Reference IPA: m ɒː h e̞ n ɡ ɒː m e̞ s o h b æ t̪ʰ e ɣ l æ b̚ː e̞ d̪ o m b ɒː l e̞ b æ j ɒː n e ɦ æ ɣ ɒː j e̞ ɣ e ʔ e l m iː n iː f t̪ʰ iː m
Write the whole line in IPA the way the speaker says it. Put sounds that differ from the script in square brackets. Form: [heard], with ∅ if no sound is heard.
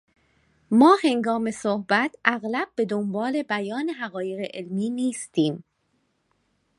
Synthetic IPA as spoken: m ɒː h e̞ [ŋ] ɡ ɒː m e̞ s o h b æ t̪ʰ [æ] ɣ l æ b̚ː e̞ d̪ o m b ɒː l e̞ b æ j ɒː n e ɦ æ ɣ ɒː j e̞ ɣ e ʔ e l m iː n iː [s] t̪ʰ iː m

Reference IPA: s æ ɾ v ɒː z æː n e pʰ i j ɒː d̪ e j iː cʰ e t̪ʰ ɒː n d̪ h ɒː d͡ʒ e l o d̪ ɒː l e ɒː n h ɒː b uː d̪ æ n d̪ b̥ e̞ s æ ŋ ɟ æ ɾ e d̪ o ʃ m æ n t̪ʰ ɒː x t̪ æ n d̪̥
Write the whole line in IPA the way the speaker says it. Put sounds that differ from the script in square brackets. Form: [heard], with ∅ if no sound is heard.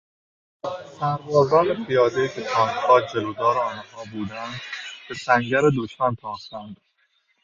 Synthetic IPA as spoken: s æ ɾ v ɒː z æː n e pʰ i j ɒː d̪ e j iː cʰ e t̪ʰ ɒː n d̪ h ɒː d͡ʒ e l o d̪ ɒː [ɾ] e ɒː n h ɒː b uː d̪ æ n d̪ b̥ e̞ s æ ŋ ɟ æ ɾ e d̪ o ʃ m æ n t̪ʰ ɒː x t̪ æ n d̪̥

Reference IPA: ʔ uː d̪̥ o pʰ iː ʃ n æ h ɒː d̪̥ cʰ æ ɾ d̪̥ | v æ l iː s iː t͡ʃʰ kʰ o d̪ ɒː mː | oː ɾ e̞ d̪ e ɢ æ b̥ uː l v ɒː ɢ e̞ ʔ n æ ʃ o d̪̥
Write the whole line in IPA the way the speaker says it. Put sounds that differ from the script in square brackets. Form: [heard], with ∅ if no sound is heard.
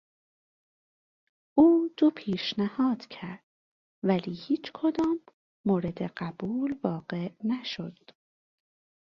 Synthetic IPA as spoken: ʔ uː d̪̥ o pʰ iː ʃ n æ h ɒː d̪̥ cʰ æ ɾ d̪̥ | v æ l iː [h] iː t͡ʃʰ kʰ o d̪ ɒː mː | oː ɾ e̞ d̪ e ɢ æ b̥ uː l v ɒː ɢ e̞ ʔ n æ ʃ o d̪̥

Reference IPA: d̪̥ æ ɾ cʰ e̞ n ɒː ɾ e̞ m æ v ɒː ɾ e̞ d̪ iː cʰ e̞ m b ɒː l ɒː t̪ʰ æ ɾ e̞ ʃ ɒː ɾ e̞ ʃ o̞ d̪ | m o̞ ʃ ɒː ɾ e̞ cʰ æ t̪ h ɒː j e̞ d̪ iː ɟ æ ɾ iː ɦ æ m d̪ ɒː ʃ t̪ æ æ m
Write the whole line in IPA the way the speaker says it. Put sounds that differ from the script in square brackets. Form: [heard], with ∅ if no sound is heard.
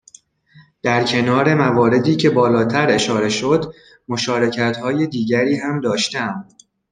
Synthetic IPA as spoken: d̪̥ æ ɾ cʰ e̞ n ɒː ɾ e̞ m æ v ɒː ɾ e̞ d̪ iː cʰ e̞ [∅] b ɒː l ɒː t̪ʰ æ ɾ e̞ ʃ ɒː ɾ e̞ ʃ o̞ d̪ | m o̞ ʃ ɒː ɾ e̞ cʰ æ t̪ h ɒː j e̞ d̪ iː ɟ æ ɾ iː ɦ æ m d̪ ɒː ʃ t̪ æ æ m

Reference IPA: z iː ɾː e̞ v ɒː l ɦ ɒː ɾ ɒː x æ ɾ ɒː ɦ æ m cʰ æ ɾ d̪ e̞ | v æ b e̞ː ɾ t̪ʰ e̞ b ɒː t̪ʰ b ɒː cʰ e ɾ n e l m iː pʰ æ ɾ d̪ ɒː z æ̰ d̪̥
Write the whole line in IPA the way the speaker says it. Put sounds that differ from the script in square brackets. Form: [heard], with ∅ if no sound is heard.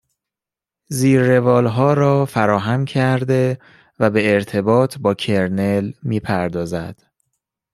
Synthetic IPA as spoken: z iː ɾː e̞ v ɒː l ɦ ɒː ɾ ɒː [f] æ ɾ ɒː ɦ æ m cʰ æ ɾ d̪ e̞ | v æ b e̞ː ɾ t̪ʰ e̞ b ɒː t̪ʰ b ɒː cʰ e ɾ n e l m iː pʰ æ ɾ d̪ ɒː z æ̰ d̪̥

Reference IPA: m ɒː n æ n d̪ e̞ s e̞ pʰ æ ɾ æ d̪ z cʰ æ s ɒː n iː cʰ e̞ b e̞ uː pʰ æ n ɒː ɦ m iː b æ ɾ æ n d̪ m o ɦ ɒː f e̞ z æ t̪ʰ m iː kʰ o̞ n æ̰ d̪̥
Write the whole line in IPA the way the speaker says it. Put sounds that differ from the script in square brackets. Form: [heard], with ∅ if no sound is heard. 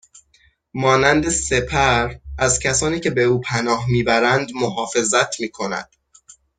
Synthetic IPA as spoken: m ɒː n æ n d̪ e̞ s e̞ pʰ æ ɾ æ [∅] z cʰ æ s ɒː n iː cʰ e̞ b e̞ uː pʰ æ n ɒː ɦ m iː b æ ɾ æ n d̪ m o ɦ ɒː f e̞ z æ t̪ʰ m iː kʰ o̞ n æ̰ d̪̥

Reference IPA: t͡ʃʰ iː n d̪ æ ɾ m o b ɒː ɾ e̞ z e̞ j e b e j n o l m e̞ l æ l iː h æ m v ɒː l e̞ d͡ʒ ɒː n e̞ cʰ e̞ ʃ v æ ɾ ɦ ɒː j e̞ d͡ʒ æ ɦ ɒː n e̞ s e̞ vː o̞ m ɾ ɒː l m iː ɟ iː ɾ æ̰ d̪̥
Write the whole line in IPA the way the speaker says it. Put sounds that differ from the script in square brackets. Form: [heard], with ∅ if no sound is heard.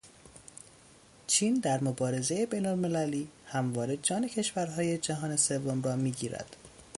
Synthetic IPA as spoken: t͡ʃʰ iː n d̪ æ ɾ m o b ɒː ɾ e̞ z e̞ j e b e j n o l m e̞ l æ l iː h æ m v ɒː [ɾ] e̞ d͡ʒ ɒː n e̞ cʰ e̞ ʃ v æ ɾ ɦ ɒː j e̞ d͡ʒ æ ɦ ɒː n e̞ s e̞ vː o̞ m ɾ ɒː [∅] m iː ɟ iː ɾ æ̰ d̪̥

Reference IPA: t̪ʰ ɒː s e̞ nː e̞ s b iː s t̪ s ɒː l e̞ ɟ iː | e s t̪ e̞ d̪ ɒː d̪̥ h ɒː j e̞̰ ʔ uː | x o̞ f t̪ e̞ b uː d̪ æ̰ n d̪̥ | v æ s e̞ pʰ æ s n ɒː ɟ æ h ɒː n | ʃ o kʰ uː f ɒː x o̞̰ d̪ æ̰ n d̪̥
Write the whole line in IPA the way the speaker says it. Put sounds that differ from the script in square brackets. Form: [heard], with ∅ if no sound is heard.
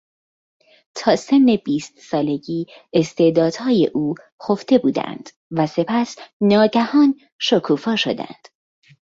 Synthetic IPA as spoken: t̪ʰ ɒː s e̞ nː e̞ [∅] b iː s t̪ s ɒː l e̞ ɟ iː | e s t̪ e̞ d̪ ɒː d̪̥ h ɒː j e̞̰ ʔ uː | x o̞ f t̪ e̞ b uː d̪ æ̰ n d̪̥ | v æ s e̞ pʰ æ s n ɒː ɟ æ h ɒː n | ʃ o kʰ uː f ɒː [ʃ] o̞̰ d̪ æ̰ n d̪̥

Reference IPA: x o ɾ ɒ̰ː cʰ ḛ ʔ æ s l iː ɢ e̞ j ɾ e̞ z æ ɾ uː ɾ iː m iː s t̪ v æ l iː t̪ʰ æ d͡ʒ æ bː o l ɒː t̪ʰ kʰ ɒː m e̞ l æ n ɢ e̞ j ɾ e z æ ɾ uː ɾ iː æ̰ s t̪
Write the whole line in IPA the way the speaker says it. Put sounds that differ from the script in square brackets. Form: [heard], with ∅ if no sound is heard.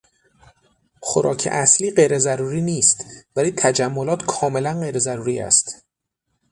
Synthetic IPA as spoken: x o ɾ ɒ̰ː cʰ ḛ ʔ æ s l iː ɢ e̞ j ɾ e̞ z æ ɾ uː ɾ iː [n] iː s t̪ v æ l iː t̪ʰ æ d͡ʒ æ [mː] o l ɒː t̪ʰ kʰ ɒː m e̞ l æ n ɢ e̞ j ɾ e z æ ɾ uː ɾ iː æ̰ s t̪

